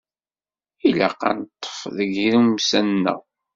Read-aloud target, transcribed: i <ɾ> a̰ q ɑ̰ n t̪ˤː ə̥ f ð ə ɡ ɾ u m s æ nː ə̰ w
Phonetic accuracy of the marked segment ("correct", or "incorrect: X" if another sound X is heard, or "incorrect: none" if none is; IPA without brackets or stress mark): incorrect: l